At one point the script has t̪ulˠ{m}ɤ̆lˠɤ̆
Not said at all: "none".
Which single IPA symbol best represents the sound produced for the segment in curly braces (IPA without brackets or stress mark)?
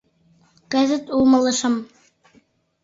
m